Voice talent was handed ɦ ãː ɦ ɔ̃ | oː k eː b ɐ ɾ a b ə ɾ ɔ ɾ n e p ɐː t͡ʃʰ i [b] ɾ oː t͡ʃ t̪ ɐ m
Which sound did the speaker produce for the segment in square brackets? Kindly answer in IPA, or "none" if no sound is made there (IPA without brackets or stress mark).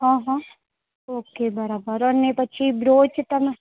b